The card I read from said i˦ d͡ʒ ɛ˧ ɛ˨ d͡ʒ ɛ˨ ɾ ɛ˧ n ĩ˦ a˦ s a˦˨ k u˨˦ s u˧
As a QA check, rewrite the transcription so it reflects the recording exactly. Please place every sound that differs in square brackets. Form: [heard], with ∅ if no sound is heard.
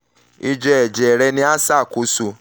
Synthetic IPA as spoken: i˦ d͡ʒ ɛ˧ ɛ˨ d͡ʒ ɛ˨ ɾ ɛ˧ n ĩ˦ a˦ s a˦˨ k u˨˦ s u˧

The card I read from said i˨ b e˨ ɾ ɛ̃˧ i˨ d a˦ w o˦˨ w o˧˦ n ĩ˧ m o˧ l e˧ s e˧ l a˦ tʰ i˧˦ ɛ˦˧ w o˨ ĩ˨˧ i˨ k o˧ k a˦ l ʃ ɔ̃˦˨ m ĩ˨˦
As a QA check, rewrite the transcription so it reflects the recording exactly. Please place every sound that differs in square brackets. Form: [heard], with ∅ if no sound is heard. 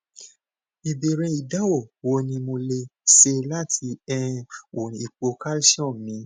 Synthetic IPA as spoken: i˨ b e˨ ɾ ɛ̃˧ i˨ d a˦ w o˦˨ w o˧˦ n ĩ˧ m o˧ l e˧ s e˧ l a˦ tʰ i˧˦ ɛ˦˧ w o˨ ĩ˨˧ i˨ [k͡p] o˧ k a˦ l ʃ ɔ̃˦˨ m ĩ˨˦

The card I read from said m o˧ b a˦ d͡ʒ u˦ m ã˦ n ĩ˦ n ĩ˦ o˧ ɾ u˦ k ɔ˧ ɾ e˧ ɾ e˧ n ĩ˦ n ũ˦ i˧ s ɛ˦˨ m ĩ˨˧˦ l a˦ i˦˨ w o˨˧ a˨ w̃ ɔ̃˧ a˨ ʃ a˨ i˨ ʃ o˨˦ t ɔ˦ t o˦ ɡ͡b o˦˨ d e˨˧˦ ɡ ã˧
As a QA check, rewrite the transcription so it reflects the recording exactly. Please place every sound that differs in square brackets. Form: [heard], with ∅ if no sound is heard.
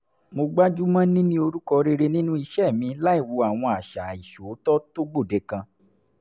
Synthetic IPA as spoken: m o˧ [ɡ͡b] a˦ d͡ʒ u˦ m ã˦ n ĩ˦ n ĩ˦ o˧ ɾ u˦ k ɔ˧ ɾ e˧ ɾ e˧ n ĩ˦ n ũ˦ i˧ [ʃ] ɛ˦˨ m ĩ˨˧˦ l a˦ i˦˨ w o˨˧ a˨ w̃ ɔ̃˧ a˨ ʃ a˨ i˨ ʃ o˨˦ t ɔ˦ t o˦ ɡ͡b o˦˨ d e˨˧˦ [k] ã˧

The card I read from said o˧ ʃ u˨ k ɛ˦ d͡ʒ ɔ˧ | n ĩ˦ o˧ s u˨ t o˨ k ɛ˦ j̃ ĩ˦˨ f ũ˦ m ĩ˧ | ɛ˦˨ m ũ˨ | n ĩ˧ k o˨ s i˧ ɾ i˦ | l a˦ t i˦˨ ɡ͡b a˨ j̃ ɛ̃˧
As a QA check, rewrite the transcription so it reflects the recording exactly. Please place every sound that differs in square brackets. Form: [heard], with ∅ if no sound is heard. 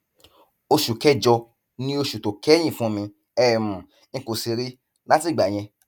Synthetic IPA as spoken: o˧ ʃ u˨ k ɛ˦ d͡ʒ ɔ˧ | n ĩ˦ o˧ [ʃ] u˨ t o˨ k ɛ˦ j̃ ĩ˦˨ f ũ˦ m ĩ˧ | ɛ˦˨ m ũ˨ | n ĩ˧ k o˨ s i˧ ɾ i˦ | l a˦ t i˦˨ ɡ͡b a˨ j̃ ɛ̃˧

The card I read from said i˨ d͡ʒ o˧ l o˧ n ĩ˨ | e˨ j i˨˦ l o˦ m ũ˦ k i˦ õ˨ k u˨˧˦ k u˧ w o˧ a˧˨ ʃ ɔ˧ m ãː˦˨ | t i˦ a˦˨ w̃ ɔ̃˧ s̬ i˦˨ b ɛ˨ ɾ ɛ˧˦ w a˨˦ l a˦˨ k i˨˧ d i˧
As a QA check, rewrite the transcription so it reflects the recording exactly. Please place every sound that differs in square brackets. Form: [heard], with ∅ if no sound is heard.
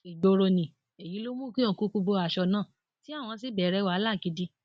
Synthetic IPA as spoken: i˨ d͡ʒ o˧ [ɾ] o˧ n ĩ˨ | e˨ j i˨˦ l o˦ m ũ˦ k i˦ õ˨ k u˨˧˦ k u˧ [b] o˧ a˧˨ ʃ ɔ˧ [n] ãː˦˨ | t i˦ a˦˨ w̃ ɔ̃˧ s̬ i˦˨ b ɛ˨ ɾ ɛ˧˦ w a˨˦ l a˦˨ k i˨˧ d i˧

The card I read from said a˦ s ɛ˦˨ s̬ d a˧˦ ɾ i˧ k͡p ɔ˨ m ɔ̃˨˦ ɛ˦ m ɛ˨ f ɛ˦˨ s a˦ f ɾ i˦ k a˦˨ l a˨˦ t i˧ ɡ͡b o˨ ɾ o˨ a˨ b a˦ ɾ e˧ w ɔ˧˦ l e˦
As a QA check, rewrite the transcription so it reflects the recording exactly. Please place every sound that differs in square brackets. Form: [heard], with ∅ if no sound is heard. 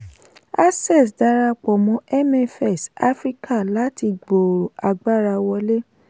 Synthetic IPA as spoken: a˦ s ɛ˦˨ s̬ d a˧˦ ɾ [a˧] k͡p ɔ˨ m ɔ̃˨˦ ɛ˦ m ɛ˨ f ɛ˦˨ s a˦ f ɾ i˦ k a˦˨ l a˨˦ t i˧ ɡ͡b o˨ ɾ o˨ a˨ [ɡ͡b] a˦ ɾ [a˧] w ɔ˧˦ l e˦

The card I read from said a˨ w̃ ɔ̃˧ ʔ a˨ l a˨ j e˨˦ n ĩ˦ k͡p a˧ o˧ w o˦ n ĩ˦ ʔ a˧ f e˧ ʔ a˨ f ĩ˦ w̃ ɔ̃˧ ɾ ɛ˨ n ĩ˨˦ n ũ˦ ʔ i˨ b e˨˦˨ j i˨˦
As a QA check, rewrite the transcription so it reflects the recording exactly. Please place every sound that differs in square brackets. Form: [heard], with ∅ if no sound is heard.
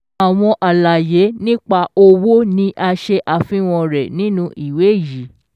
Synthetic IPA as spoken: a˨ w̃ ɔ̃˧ ʔ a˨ l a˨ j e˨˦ n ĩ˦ k͡p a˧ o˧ w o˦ n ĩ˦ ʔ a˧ [ʃ] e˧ ʔ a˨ f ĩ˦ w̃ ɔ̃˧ ɾ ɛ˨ n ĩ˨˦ n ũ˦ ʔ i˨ [w] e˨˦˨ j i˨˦

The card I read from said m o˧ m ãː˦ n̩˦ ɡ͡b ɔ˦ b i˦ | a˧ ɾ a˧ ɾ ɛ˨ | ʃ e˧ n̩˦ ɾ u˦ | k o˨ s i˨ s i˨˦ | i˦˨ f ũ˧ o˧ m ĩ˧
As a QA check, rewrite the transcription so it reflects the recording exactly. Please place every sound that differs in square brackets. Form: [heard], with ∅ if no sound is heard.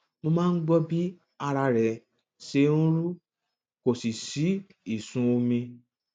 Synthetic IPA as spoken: m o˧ m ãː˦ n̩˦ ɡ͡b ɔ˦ b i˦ | a˧ ɾ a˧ ɾ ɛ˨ | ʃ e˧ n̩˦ ɾ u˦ | k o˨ s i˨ s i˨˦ | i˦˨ [s] ũ˧ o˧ m ĩ˧

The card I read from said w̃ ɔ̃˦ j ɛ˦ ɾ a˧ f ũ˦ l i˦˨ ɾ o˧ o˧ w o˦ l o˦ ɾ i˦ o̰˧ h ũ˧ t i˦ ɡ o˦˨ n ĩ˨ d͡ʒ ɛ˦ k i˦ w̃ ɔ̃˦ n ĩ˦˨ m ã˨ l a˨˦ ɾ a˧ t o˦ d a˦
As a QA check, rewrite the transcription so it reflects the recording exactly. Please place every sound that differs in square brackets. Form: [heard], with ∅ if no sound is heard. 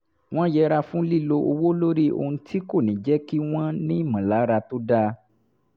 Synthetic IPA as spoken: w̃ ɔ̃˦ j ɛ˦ ɾ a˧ f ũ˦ l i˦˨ [l] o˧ o˧ w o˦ l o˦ ɾ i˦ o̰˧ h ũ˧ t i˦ [k] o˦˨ n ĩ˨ d͡ʒ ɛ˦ k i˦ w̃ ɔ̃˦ n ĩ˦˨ m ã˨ l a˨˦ ɾ a˧ t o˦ d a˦

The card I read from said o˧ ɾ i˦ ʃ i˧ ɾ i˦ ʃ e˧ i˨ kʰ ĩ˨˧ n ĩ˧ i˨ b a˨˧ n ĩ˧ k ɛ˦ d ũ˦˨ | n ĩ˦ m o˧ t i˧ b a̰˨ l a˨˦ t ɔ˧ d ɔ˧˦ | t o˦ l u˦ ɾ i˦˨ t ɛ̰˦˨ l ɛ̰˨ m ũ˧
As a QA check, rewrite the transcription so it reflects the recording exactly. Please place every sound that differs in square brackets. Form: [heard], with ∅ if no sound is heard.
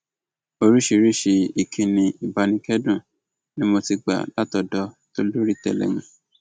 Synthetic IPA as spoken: o˧ ɾ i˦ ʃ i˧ ɾ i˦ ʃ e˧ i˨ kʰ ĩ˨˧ n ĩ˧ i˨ b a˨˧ n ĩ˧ k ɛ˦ d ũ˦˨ | n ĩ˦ m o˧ t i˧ [ɡ͡b] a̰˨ l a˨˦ t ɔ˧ d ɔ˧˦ | t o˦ l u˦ ɾ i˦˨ t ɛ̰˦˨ l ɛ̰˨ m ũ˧

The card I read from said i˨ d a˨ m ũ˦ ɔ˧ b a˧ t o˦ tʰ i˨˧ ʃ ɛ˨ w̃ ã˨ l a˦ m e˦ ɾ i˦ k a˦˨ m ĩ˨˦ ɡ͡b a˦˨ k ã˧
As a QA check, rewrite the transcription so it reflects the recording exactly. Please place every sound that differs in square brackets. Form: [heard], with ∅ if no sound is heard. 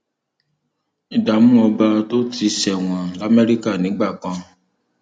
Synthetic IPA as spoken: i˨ d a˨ m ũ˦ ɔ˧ b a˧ t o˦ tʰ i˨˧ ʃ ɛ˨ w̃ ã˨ l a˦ m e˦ ɾ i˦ k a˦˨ [n] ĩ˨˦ ɡ͡b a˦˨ k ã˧

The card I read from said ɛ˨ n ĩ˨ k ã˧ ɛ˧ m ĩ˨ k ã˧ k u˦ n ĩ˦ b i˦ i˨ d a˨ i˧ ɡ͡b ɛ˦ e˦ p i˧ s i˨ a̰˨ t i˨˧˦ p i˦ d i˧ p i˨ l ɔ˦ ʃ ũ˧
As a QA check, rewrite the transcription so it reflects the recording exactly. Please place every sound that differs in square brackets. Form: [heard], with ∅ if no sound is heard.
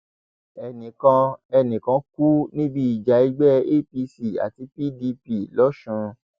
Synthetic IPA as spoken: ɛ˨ n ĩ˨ k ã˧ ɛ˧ [n] ĩ˨ k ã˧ k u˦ n ĩ˦ b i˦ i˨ [d͡ʒ] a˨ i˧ ɡ͡b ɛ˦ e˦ p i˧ s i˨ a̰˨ t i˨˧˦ p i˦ d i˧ p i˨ l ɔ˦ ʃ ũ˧

